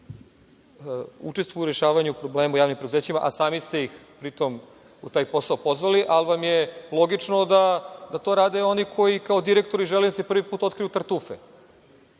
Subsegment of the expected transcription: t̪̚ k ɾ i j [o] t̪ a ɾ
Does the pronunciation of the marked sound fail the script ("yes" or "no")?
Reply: yes